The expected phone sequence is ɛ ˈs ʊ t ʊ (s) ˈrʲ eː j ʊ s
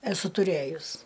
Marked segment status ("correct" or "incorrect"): incorrect